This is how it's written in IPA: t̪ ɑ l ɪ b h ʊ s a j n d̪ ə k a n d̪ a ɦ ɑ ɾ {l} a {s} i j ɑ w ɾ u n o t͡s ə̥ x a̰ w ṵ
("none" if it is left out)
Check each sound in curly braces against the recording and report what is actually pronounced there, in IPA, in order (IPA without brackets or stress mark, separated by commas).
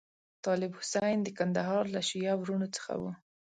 l, ʃ